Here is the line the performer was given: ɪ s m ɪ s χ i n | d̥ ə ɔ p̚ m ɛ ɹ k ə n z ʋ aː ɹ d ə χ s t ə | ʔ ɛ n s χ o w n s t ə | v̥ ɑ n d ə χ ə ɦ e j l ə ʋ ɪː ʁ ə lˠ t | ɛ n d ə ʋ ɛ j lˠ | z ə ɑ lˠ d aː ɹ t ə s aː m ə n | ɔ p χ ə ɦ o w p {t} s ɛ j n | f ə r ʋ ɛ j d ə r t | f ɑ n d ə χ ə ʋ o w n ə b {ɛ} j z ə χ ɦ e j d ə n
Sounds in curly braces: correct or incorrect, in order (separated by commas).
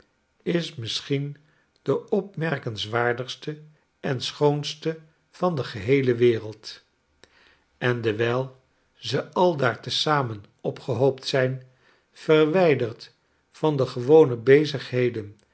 correct, incorrect